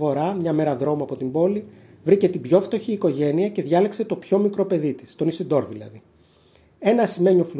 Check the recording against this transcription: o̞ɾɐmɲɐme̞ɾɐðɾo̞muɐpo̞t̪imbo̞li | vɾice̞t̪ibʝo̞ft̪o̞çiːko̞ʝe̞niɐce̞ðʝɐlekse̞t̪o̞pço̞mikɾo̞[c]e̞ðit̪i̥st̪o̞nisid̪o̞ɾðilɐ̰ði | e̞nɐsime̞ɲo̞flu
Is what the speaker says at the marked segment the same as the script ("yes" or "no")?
no